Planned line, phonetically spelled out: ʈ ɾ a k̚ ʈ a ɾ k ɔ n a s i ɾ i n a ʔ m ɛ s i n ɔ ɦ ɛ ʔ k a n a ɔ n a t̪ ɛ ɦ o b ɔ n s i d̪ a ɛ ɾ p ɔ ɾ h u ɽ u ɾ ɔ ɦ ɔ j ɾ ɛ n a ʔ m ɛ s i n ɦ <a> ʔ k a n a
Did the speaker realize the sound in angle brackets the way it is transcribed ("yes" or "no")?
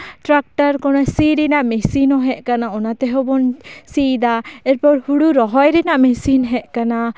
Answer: no